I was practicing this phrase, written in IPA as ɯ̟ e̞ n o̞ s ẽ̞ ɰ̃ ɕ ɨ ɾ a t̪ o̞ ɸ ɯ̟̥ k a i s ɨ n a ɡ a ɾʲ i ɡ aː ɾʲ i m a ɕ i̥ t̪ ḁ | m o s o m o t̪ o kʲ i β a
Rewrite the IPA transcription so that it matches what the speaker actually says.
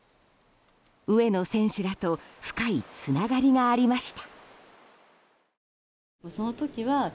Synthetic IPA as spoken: ɯ̟ e̞ n o̞ s ẽ̞ ɰ̃ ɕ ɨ ɾ a t̪ o̞ ɸ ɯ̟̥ k a i t͡s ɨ n a ɡ a ɾʲ i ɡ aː ɾʲ i m a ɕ i̥ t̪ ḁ | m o s o n o t̪ o kʲ i β a